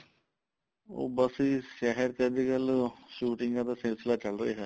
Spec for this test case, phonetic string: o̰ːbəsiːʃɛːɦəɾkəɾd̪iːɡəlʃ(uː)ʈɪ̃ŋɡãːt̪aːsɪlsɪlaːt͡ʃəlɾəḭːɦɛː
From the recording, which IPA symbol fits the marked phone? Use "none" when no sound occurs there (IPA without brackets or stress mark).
uː